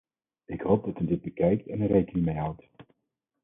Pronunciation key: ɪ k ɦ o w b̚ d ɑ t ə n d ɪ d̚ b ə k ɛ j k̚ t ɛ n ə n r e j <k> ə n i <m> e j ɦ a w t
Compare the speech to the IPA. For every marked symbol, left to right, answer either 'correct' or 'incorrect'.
correct, correct

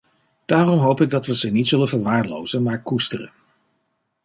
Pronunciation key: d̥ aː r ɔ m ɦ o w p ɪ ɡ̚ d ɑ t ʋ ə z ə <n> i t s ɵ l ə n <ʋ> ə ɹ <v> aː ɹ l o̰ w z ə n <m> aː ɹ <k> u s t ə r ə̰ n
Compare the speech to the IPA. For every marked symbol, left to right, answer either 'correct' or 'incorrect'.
correct, incorrect: v, incorrect: ʋ, correct, correct

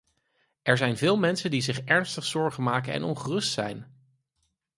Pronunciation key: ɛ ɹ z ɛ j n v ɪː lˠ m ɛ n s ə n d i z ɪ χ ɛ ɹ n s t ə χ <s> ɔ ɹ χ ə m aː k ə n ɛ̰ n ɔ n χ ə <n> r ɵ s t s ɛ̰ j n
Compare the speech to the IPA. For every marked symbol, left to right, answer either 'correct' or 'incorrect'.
correct, incorrect: none

